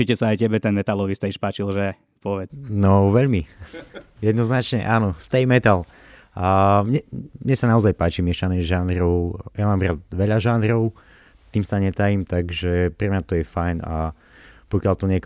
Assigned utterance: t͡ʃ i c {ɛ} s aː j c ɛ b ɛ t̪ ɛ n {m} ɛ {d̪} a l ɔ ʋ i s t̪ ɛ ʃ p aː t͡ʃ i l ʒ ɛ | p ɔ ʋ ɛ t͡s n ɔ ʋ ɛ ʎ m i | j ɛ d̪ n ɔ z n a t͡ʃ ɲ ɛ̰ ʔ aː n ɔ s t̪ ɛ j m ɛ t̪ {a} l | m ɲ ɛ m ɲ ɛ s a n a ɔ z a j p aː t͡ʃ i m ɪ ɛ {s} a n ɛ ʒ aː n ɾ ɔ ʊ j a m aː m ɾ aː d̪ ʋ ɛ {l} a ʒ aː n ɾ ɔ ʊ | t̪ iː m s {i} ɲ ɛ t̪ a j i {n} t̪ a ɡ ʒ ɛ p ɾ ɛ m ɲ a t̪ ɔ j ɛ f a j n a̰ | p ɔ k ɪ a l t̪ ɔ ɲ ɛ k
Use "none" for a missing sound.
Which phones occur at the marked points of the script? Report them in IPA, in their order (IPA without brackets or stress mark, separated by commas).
ɛ, m, t̪, a, ʃ, ʎ, a, m